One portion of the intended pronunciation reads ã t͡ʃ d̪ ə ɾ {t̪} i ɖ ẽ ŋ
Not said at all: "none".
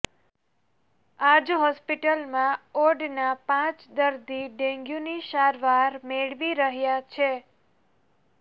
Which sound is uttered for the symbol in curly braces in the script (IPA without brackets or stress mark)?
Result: d̪